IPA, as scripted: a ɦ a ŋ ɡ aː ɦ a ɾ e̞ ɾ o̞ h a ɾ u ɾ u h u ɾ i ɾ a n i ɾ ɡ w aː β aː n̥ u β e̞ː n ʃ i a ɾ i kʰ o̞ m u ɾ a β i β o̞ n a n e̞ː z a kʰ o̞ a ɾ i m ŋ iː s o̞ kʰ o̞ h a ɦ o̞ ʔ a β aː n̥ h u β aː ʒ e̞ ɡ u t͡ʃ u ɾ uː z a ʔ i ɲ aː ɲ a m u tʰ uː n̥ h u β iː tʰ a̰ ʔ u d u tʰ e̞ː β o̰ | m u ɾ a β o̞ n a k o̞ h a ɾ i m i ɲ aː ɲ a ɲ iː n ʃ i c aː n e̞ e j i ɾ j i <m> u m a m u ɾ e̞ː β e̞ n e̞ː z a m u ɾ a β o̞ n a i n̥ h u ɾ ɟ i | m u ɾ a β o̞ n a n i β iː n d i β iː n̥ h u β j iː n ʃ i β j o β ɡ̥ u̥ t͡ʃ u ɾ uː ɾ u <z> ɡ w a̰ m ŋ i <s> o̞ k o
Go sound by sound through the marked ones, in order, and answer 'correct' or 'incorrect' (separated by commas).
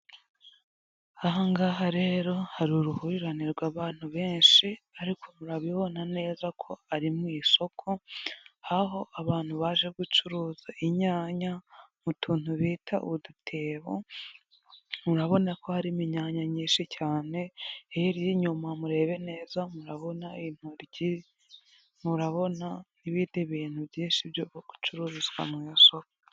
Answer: incorrect, correct, correct